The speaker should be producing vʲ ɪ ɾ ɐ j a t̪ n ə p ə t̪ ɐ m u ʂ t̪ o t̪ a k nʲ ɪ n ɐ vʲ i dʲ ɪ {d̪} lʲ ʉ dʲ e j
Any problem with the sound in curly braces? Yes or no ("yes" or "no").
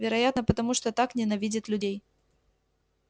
yes